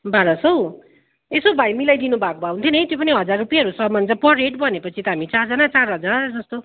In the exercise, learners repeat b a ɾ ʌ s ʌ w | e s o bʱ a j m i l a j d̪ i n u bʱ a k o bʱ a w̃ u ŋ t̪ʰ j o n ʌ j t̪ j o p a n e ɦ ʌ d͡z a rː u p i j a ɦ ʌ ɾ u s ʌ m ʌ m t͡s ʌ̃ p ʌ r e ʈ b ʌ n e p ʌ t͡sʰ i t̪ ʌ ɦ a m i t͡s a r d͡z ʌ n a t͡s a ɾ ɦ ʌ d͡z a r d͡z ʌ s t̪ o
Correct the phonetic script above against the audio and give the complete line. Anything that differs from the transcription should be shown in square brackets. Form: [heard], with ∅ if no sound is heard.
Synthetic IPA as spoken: b a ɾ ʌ s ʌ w | e s o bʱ a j m i l a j d̪ i n u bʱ a k o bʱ a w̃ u [n] t̪ʰ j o n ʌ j t̪ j o p [ʌ] n [i] ɦ ʌ d͡z a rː u p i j a ɦ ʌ ɾ u s ʌ m ʌ [n] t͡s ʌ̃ p ʌ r e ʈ b ʌ n e p ʌ t͡sʰ i t̪ ʌ ɦ a m i t͡s a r d͡z ʌ n a t͡s a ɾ ɦ ʌ d͡z a r d͡z ʌ s t̪ o